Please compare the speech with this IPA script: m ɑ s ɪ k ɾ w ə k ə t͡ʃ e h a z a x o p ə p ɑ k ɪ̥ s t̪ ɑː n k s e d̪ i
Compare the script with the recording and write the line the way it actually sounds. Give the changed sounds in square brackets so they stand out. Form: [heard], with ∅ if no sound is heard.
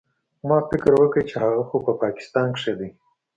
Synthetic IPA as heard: m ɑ [f] ɪ k ɾ w ə k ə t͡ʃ e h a [ɣ] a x o p ə p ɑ k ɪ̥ s t̪ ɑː n k [ʂ] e d̪ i